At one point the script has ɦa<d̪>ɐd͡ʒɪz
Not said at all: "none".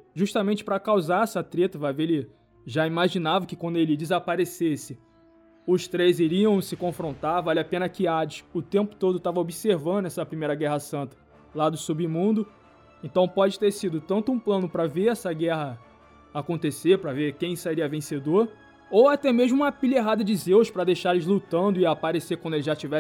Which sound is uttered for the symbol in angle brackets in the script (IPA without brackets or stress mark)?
d̪